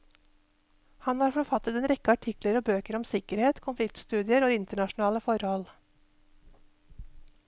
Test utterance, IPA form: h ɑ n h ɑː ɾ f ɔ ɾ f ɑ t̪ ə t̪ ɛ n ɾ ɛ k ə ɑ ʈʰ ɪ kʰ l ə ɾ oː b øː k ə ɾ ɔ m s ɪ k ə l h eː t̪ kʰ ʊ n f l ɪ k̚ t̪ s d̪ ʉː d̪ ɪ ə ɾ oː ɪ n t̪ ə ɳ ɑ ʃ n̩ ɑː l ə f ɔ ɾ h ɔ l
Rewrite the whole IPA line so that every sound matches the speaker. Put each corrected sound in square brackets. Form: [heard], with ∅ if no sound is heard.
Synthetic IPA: h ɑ n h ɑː ɾ f ɔ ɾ f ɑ t̪ ə t̪ ɛ n ɾ ɛ k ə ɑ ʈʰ ɪ [k] l ə ɾ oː b øː k ə ɾ ɔ m s ɪ k ə [ɾ] h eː t̪ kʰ ʊ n f l ɪ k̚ t̪ s [t̪] ʉː d̪ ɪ ə ɾ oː ɪ n t̪ ə ɳ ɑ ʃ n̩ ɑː l ə f ɔ ɾ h ɔ l